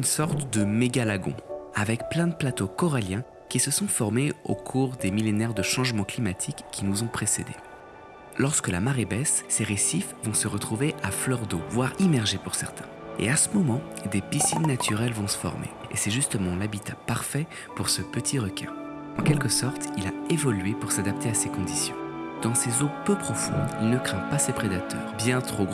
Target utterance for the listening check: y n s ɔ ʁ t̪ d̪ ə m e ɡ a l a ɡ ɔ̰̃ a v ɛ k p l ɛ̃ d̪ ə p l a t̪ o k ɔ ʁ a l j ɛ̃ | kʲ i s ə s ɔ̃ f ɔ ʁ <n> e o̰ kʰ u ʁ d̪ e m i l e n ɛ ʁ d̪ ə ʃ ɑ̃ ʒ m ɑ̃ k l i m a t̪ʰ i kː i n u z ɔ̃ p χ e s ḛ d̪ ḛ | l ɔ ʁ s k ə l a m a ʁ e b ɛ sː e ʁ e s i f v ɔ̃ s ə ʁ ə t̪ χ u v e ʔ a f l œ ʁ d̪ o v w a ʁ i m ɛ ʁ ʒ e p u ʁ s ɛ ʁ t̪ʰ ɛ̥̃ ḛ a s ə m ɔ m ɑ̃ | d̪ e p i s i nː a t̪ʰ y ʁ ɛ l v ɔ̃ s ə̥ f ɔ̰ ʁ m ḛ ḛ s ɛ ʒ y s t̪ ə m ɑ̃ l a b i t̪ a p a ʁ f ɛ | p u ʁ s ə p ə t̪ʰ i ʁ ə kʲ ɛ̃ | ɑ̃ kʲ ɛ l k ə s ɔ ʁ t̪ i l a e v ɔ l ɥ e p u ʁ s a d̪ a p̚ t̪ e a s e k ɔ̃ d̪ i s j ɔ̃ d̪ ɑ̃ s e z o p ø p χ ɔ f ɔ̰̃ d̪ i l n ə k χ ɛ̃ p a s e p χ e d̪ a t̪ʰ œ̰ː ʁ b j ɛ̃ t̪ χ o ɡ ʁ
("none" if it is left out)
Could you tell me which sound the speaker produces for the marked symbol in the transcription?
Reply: m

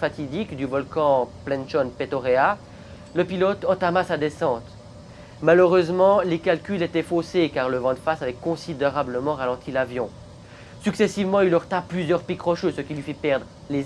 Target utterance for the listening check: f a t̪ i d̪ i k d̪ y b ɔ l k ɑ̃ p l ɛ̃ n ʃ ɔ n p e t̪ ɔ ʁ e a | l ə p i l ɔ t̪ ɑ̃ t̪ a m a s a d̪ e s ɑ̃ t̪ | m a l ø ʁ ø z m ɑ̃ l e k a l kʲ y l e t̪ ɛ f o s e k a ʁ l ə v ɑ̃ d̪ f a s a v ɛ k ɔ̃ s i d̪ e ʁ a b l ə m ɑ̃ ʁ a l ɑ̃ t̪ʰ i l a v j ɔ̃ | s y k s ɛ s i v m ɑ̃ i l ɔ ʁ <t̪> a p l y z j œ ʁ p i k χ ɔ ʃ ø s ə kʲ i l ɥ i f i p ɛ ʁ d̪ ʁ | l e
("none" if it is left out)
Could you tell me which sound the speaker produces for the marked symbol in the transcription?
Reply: t̪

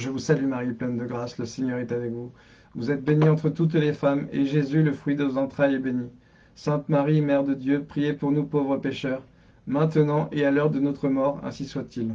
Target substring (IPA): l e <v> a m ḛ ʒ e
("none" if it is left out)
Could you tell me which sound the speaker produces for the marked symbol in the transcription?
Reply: f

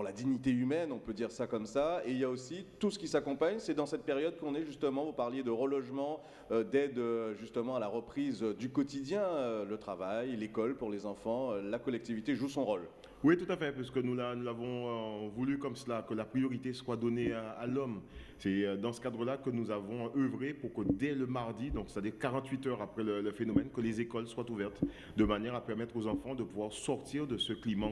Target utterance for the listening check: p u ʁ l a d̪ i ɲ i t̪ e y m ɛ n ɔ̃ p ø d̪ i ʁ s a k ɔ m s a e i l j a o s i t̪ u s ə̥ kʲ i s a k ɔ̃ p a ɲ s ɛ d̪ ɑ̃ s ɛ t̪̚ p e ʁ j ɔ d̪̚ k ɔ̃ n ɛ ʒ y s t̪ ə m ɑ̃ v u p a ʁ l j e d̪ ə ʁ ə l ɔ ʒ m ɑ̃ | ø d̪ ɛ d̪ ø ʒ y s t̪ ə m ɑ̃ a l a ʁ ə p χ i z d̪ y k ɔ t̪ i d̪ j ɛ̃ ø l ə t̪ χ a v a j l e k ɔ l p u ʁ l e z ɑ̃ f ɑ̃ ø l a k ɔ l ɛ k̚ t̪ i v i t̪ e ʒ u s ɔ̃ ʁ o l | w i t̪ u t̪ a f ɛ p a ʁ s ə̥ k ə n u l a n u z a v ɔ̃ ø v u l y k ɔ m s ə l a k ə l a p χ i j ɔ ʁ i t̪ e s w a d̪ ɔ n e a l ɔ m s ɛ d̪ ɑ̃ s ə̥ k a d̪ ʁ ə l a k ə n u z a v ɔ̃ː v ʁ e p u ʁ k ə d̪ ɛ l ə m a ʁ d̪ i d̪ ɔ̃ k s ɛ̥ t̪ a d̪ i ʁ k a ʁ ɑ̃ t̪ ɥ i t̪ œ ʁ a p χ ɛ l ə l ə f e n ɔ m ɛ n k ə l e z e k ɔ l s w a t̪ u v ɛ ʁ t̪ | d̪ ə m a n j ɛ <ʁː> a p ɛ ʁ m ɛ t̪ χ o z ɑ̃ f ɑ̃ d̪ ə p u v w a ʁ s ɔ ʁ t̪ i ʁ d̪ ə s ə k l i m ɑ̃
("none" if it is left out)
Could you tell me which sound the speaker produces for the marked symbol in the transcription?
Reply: ʁ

